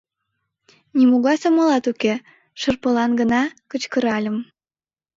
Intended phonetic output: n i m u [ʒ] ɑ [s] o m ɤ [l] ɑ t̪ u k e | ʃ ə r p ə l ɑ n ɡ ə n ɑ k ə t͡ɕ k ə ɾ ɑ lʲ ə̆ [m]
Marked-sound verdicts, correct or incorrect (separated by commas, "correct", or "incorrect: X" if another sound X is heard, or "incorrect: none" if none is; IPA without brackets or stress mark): incorrect: ɣ, correct, correct, correct